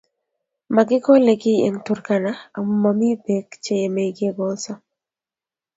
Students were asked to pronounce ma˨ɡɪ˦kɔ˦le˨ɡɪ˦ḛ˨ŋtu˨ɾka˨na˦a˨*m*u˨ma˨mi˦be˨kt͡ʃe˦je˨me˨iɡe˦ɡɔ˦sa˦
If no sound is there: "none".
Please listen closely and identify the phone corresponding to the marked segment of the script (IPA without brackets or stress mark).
m